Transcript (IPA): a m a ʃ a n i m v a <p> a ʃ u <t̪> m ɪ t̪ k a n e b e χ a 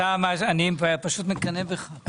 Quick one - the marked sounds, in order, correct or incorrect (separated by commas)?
correct, correct